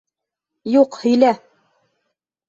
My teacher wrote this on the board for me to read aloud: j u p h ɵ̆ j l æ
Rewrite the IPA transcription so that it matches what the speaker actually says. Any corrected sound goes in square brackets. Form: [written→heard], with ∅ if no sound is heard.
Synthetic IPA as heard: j u [p→q] h ɵ̆ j l æ

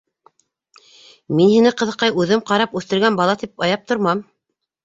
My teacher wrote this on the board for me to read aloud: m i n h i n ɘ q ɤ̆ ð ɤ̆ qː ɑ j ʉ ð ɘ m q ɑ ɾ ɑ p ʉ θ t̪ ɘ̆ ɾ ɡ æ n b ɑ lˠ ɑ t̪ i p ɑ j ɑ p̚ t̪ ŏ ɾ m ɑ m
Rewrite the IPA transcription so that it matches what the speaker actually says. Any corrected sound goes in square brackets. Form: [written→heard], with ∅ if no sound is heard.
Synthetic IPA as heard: m i n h i n ɘ q ɤ̆ ð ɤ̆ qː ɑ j ʉ ð ɘ m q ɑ ɾ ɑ p ʉ θ t̪ ɘ̆ ɾ ɡ æ n b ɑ lˠ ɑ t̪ i p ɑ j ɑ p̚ t̪ ŏ ɾ m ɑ m

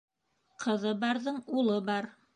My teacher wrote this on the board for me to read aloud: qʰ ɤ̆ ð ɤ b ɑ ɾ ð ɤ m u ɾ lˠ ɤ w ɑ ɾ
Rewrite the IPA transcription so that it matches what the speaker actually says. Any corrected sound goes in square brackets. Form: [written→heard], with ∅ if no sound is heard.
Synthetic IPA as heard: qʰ ɤ̆ ð ɤ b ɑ ɾ ð ɤ [m→ɴ] u [ɾ→∅] lˠ ɤ [w→b] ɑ ɾ

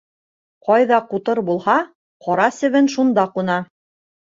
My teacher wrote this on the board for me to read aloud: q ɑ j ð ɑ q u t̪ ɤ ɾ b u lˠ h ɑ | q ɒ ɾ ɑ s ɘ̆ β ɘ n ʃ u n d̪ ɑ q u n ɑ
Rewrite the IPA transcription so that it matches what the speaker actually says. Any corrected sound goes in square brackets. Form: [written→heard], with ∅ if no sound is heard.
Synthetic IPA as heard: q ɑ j ð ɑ q u t̪ ɤ ɾ b u lˠ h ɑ | q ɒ ɾ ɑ s ɘ̆ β ɘ n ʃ u n d̪ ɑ q u n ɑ

